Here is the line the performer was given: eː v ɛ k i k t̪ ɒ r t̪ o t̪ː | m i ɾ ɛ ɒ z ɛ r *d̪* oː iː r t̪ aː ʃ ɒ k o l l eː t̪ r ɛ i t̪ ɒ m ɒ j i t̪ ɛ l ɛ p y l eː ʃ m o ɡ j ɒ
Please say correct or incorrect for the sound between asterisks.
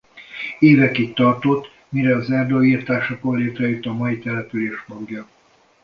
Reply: correct